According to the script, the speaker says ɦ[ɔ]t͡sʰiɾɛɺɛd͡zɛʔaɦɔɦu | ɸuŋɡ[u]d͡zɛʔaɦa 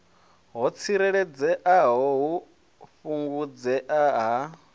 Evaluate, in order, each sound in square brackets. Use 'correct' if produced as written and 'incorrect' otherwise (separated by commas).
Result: correct, correct